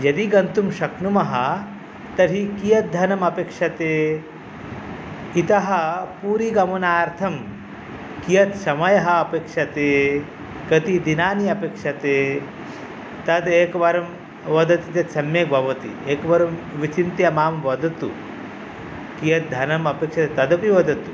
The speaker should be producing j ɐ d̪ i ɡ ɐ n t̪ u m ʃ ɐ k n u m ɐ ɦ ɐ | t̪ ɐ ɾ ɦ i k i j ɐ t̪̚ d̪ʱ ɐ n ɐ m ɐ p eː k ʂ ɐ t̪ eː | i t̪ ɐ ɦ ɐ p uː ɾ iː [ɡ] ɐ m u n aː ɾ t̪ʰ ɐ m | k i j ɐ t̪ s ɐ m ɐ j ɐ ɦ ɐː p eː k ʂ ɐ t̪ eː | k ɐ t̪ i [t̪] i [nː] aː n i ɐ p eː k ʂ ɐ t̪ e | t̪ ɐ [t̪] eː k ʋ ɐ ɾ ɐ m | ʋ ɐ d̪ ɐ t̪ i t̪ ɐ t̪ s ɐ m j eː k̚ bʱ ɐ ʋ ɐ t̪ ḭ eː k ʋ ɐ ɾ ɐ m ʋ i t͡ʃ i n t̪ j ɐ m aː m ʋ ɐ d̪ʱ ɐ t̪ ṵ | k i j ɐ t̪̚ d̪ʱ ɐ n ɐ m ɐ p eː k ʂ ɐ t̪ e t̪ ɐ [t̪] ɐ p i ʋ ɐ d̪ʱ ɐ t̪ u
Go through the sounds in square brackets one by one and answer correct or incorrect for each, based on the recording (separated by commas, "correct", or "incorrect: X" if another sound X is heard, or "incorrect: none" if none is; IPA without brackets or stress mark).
correct, incorrect: d̪, incorrect: n, incorrect: d̪, incorrect: d̪